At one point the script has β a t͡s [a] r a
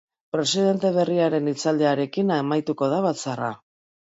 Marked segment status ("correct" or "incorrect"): correct